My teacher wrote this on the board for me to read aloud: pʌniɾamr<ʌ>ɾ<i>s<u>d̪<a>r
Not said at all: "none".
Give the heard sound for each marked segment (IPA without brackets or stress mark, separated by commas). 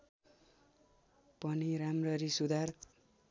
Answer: ʌ, i, u, a